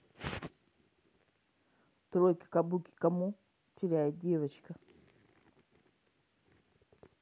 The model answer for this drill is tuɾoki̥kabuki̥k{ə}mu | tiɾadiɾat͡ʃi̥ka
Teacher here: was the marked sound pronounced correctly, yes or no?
no